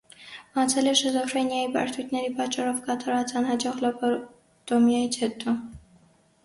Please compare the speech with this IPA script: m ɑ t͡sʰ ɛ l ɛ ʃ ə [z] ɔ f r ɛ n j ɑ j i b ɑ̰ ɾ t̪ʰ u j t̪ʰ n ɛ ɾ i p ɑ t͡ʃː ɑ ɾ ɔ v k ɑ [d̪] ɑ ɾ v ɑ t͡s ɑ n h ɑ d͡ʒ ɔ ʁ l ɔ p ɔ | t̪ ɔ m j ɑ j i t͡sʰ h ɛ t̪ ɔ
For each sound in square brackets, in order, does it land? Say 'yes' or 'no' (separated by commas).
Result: yes, no